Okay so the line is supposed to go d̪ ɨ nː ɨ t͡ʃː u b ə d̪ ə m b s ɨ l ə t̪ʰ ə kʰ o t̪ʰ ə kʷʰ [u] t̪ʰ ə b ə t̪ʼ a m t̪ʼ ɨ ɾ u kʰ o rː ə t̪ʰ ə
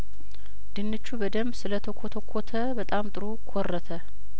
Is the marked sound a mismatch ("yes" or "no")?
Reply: yes